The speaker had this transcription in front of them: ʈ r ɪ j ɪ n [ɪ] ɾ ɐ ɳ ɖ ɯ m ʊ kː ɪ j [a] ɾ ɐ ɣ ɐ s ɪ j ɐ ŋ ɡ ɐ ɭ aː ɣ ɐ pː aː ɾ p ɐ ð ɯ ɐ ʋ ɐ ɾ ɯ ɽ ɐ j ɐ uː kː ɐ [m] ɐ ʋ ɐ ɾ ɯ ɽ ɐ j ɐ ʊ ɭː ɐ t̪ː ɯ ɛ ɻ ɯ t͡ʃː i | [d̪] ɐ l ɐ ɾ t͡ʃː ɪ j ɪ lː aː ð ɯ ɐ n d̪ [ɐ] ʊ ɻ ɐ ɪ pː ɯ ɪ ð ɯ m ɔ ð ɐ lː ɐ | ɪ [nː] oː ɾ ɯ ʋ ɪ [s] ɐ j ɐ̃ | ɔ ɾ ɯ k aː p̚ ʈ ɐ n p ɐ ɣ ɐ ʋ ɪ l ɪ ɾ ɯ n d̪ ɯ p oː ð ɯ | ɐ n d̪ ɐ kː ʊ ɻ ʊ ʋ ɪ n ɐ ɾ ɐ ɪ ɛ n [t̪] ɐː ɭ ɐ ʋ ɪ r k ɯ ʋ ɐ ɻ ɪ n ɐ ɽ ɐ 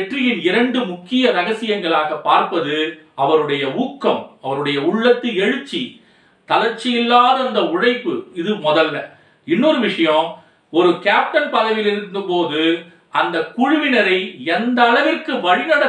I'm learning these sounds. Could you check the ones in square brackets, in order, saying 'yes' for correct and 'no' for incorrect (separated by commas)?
yes, no, yes, no, yes, yes, no, no